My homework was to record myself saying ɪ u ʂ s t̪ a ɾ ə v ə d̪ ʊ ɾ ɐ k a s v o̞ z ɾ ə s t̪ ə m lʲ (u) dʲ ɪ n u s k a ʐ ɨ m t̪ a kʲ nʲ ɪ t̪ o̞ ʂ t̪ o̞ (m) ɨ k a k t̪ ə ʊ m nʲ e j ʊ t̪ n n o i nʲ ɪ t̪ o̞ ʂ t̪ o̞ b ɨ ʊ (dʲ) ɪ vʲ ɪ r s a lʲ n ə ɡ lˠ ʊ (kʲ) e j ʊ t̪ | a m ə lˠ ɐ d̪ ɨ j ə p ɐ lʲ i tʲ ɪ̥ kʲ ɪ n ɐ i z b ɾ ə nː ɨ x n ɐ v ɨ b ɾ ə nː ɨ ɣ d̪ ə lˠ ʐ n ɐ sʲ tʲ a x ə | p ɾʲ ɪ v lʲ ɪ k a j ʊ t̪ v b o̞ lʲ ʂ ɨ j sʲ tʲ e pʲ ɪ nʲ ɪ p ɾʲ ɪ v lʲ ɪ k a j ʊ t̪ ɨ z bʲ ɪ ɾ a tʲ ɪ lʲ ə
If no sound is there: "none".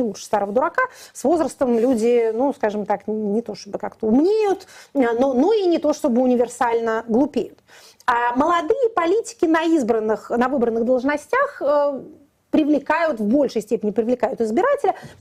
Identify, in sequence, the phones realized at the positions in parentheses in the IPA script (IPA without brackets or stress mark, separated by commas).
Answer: u, b, nʲ, pʲ